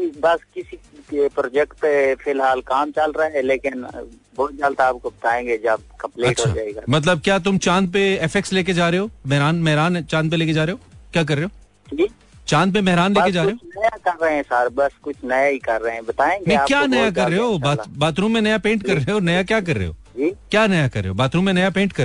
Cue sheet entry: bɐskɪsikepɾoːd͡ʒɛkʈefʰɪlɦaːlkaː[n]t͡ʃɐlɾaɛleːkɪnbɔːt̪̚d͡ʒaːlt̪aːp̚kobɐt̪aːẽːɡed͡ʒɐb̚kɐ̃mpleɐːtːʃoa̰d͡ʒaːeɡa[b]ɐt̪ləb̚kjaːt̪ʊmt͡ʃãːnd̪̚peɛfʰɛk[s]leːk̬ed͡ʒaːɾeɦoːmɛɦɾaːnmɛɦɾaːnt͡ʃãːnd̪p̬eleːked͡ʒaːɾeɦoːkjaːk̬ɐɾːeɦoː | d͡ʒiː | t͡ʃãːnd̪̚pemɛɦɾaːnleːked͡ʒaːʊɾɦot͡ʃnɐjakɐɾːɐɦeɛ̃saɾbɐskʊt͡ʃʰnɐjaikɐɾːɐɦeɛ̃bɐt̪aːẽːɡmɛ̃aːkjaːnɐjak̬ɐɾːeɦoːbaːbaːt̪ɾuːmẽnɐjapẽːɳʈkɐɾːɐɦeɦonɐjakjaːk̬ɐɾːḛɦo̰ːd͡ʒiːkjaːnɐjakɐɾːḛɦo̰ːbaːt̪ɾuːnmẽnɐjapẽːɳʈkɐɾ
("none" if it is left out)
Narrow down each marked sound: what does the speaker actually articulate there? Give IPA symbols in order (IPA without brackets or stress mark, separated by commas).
m, m, s